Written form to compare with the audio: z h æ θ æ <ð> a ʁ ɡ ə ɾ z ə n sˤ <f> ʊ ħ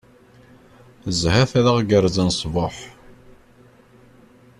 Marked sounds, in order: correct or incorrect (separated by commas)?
correct, incorrect